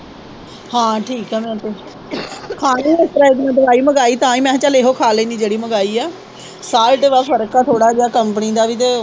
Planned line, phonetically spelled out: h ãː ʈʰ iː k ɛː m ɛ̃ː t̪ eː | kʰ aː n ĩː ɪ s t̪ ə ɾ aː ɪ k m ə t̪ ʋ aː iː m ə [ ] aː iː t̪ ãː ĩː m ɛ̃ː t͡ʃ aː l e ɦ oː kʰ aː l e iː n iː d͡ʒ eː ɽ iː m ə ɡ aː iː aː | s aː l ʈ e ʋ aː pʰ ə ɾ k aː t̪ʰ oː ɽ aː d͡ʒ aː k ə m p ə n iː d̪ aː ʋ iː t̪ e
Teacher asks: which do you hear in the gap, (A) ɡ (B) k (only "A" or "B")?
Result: A